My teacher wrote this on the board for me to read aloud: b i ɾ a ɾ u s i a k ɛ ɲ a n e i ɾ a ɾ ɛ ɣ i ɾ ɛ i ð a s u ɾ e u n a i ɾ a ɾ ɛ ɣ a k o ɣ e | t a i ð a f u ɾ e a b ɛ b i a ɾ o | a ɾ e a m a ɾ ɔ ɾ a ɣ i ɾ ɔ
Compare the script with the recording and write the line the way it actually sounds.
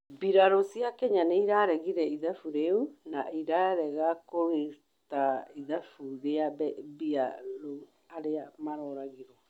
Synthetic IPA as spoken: b i ɾ a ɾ o s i a k ɛ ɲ a n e i ɾ a ɾ ɛ ɣ i ɾ ɛ i ð a f u ɾ e u n a i ɾ a ɾ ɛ ɣ a k o ɣ e | t a i ð a f u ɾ e a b ɛ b i a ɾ o | a ɾ e a m a ɾ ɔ ɾ a ɣ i ɾ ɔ

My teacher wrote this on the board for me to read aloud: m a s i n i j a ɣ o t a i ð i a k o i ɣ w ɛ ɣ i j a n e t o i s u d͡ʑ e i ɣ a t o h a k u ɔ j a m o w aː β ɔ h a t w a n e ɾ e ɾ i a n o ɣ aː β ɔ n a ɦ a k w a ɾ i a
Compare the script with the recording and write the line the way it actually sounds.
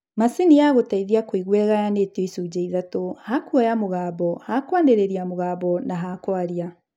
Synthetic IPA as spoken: m a s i n i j a ɣ o t a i ð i a k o i ɣ w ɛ ɣ a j a n e t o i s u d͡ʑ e i ð a t o h a k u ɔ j a m o ɣ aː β ɔ h a k w a n e ɾ e ɾ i a m o ɣ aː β ɔ n a ɦ a k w a ɾ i a

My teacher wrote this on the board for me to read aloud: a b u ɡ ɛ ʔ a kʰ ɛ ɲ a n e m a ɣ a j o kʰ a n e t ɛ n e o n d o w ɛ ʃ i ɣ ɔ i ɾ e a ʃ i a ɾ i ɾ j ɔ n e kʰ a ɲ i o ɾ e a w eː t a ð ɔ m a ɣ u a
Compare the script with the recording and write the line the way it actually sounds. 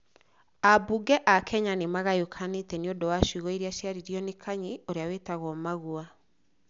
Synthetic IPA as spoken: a b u ɡ ɛ ʔ a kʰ ɛ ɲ a n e m a ɣ a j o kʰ a n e t ɛ n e o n d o w a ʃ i ɣ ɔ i ɾ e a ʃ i a ɾ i ɾ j ɔ n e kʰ a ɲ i o ɾ e a w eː t a ɣ ɔ m a ɣ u a

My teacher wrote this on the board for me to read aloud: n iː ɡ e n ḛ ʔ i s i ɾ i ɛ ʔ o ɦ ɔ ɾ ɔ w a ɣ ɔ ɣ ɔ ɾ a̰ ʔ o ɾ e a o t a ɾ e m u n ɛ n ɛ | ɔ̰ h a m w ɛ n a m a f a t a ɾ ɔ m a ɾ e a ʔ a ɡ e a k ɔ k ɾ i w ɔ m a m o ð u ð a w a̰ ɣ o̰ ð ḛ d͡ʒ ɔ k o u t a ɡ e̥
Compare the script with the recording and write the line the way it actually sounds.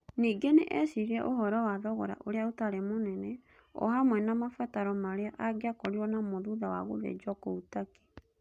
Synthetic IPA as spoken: n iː ɡ e n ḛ ʔ ɛ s i ɾ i ɛ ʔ o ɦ ɔ ɾ ɔ w a ð ɔ ɣ ɔ ɾ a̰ ʔ o ɾ e a o t a ɾ e m o n ɛ n ɛ | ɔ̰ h a m w ɛ n a m a f a t a ɾ ɔ m a ɾ e a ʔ a ɡ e a k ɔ ɾ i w ɔ n a m o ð u ð a w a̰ ɣ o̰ ð ḛ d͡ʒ ɔ k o u t a k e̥

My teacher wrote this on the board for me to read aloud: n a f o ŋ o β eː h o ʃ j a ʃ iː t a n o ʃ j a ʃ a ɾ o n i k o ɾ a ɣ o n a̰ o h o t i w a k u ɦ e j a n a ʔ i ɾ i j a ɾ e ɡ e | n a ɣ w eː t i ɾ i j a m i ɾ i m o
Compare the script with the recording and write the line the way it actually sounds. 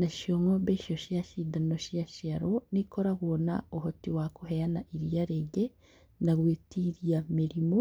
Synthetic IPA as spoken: n a ʃ o ŋ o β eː ʃ o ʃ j a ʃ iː d a n o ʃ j a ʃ a ɾ o n i k o ɾ a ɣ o n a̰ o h o t i w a k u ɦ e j a n a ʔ i ɾ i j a ɾ e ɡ e | n a ɣ w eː t i ɾ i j a m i ɾ i m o

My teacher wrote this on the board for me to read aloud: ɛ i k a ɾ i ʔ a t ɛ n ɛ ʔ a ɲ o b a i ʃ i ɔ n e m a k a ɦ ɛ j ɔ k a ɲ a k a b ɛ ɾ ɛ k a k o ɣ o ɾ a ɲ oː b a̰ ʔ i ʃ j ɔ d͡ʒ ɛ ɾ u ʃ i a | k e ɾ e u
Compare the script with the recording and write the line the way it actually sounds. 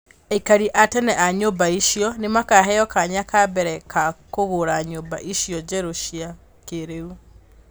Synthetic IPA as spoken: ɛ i k a ɾ i ʔ a t ɛ n ɛ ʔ a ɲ o b a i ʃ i ɔ n e m a k a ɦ ɛ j ɔ k a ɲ a k a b ɛ ɾ ɛ k a k o ɣ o ɾ a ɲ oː b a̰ ʔ i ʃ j ɔ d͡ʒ ɛ ɾ o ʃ i a | k e ɾ e u

